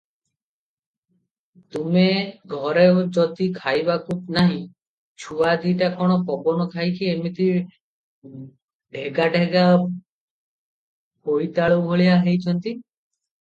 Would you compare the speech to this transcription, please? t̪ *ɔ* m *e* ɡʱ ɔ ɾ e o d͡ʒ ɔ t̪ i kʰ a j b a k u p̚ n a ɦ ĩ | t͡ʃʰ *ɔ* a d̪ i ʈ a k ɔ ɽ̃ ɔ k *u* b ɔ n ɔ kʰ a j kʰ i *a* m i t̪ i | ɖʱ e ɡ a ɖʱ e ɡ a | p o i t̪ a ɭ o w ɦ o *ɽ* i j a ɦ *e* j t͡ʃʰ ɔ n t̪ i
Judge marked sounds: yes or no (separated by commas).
no, yes, no, no, no, no, yes